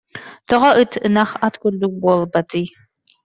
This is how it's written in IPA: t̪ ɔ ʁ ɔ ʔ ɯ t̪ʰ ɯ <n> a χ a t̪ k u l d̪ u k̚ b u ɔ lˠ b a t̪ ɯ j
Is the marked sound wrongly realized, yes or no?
no